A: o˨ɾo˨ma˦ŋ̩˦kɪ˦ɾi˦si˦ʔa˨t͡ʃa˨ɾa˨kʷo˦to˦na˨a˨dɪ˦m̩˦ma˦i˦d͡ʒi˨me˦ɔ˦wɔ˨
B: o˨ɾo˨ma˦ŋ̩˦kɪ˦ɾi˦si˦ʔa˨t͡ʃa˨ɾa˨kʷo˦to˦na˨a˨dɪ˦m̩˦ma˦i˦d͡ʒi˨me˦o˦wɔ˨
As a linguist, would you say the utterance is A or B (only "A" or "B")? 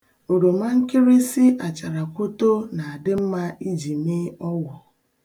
A